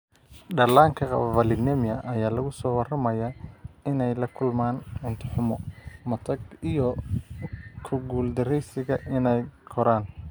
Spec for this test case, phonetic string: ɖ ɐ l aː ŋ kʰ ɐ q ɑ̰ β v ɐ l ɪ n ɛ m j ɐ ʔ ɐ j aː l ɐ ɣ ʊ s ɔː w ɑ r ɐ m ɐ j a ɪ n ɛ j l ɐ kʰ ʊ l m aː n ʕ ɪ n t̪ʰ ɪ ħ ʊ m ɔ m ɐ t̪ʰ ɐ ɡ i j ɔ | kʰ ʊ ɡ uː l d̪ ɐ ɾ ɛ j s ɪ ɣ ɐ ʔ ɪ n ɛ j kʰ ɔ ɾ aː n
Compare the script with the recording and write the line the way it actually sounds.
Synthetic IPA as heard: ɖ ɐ l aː ŋ kʰ ɐ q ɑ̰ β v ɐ l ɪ n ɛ m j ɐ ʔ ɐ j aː l ɐ ɣ ʊ s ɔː w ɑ r ɐ m ɐ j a ɪ n ɛ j l ɐ kʰ ʊ l m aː n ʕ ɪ n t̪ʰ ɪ ħ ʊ m ɔ m ɐ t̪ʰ ɐ ɡ i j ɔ | kʰ ʊ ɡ uː l d̪ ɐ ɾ ɛ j s ɪ ɣ ɐ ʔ ɪ n ɛ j kʰ ɔ ɾ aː n